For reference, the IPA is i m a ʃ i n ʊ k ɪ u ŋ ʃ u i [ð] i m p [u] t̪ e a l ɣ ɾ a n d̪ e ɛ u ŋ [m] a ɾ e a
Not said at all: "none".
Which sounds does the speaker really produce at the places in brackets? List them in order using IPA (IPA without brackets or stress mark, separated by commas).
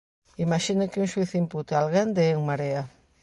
θ, u, m